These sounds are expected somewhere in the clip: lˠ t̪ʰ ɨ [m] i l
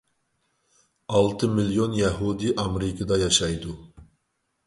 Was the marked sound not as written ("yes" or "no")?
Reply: no